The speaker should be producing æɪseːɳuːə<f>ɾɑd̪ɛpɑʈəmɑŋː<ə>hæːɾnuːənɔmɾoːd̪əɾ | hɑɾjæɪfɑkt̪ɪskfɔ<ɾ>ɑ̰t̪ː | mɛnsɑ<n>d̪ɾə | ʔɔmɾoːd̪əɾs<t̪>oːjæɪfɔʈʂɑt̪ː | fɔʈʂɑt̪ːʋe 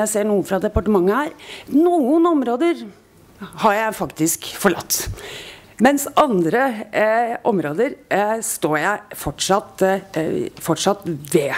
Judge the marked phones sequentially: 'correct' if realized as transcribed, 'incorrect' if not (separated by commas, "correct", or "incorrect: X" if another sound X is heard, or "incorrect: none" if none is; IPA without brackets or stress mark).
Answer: correct, correct, incorrect: ɭ, correct, correct